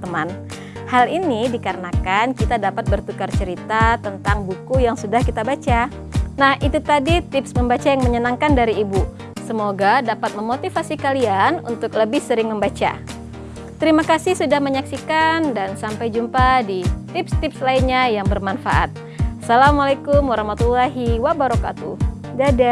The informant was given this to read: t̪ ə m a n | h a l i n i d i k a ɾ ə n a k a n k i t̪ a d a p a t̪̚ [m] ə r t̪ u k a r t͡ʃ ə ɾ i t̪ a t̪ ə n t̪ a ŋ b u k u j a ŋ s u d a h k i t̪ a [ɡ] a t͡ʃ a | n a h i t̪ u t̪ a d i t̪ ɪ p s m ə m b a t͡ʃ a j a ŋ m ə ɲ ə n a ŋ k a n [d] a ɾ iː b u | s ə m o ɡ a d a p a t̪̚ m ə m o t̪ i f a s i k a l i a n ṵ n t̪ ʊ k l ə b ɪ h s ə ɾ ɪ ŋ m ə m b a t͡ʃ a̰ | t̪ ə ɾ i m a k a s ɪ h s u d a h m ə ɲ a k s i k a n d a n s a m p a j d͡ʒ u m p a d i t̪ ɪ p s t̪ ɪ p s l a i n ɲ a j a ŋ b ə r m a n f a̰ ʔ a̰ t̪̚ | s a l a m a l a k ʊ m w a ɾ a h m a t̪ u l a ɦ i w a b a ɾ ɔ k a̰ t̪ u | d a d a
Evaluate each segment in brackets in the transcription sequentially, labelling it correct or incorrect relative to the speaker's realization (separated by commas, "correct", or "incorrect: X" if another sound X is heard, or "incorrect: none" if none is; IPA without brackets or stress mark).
incorrect: b, incorrect: b, correct